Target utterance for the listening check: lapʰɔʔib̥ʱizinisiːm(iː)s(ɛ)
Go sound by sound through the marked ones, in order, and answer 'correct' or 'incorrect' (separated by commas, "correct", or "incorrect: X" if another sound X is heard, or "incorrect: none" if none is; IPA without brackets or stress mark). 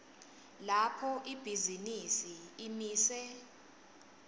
correct, correct